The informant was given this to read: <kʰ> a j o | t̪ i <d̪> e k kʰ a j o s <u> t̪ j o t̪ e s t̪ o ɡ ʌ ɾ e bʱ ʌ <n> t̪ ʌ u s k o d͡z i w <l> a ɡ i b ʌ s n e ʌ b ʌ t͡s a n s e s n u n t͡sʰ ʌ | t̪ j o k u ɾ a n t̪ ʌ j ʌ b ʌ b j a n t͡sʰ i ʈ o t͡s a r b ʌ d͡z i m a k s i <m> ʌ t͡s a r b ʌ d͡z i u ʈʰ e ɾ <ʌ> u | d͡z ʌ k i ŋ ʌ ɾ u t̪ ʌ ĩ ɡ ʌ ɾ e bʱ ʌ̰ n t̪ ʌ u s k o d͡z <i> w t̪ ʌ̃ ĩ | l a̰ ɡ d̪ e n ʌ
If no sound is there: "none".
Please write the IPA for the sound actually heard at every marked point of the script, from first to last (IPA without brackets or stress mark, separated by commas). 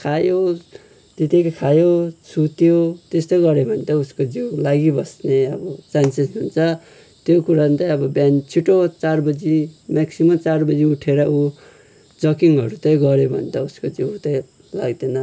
kʰ, t̪, u, n, l, m, ʌ, i